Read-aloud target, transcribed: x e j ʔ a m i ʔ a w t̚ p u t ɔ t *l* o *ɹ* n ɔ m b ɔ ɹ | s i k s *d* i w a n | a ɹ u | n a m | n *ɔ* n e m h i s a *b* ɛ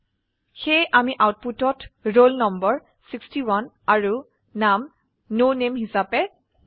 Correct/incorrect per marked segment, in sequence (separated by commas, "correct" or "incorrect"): incorrect, incorrect, incorrect, incorrect, incorrect